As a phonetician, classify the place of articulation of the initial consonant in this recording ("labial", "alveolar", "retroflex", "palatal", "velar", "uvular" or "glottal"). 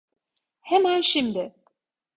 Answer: glottal